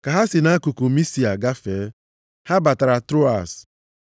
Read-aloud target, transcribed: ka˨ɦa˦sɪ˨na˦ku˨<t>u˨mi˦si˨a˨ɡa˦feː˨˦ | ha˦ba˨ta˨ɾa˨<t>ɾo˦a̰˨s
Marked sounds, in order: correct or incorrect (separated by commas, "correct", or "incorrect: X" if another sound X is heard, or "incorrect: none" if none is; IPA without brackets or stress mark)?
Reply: incorrect: k, correct